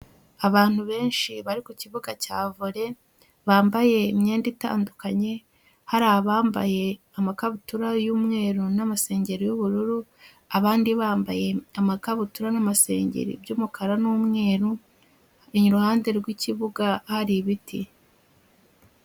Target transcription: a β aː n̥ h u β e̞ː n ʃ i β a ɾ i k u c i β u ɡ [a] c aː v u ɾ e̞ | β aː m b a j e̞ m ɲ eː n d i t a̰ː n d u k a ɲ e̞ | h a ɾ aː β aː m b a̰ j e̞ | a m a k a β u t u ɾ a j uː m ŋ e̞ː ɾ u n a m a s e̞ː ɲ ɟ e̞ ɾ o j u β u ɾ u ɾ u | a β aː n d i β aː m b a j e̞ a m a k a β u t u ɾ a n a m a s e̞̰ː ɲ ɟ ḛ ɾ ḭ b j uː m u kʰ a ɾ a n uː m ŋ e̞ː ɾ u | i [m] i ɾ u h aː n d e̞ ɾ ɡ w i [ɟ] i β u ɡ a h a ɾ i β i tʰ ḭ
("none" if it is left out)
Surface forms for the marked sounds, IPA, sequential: a, ɲ, c

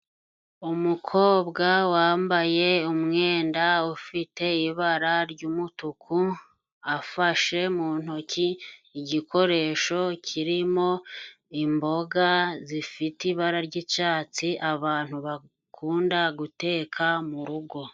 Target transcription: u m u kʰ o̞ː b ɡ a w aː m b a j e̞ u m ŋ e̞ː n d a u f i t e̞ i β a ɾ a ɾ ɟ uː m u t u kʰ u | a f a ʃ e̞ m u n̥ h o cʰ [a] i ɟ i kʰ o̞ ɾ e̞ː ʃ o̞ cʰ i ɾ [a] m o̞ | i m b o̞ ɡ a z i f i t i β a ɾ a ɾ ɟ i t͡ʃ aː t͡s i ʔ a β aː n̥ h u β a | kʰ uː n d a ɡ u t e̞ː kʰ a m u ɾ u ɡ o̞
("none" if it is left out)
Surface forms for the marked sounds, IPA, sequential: i, i

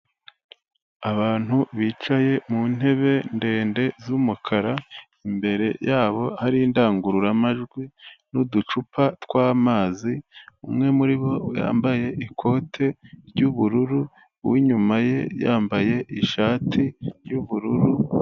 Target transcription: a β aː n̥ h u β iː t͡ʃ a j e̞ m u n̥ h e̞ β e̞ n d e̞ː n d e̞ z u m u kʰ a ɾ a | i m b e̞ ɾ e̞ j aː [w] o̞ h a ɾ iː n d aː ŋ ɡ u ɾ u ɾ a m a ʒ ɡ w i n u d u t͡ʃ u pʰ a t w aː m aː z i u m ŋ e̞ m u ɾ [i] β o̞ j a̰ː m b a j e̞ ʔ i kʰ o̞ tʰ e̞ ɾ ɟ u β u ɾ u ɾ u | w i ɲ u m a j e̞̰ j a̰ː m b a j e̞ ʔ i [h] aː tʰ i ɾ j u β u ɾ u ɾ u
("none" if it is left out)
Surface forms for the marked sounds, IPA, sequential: β, i, ʃ

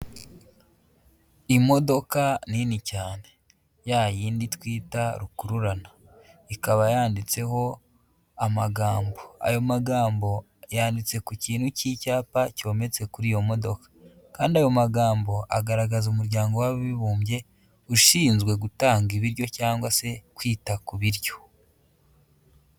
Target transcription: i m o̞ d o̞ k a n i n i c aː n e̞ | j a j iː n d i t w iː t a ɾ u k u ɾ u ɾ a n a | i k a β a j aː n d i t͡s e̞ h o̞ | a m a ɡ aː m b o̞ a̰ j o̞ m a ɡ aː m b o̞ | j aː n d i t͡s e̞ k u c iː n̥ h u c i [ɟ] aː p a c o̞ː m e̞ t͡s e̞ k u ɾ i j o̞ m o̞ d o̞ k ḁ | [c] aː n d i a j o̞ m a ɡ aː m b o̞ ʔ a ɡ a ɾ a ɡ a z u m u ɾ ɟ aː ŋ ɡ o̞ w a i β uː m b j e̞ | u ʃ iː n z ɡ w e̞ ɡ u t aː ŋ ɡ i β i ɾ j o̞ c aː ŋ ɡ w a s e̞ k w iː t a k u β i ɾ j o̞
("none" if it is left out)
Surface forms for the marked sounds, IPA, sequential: c, k

